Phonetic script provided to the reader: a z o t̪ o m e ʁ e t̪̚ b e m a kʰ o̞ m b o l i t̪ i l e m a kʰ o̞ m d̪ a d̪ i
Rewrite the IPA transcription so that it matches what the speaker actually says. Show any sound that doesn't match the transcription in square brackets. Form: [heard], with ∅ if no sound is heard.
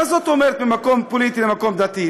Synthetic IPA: a z o t̪ o m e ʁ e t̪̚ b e m a [k] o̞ m [p] o l i t̪ i l e m a [k] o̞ m d̪ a [t̪] i